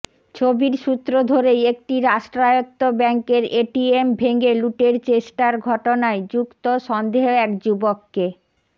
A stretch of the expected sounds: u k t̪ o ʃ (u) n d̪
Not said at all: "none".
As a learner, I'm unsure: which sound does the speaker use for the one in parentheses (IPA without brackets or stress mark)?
ɔ